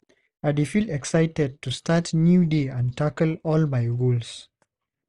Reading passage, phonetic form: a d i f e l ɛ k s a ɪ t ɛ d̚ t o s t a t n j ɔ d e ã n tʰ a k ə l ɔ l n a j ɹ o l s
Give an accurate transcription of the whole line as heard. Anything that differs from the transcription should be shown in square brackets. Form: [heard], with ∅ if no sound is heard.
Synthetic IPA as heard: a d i f [i] l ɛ k s a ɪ t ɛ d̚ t [u] s t a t n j [u] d e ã n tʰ a k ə l ɔ l [m] a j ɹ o l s